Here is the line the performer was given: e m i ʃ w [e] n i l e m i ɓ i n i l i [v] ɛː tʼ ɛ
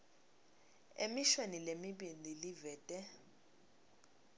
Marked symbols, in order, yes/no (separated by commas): yes, yes